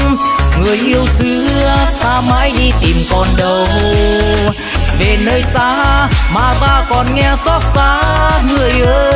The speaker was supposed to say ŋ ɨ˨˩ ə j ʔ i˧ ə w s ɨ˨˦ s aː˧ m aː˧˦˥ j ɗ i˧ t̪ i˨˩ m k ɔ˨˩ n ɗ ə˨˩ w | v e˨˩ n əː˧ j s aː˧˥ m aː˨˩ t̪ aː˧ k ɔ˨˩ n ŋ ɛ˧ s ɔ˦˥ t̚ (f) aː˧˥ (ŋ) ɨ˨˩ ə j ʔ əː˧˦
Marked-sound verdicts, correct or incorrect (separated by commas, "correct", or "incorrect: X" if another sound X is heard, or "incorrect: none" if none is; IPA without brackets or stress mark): incorrect: s, correct